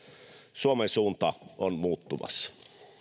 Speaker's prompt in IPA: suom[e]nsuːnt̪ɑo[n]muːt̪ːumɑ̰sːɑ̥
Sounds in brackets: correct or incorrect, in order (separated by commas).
correct, correct